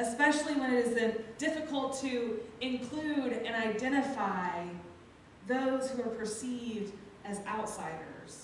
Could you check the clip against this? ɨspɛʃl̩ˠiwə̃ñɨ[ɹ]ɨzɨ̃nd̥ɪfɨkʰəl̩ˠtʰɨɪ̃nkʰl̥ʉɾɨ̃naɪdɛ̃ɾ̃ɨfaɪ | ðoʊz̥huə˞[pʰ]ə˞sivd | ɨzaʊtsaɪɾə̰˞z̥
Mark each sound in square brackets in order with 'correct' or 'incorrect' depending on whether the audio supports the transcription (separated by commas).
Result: incorrect, correct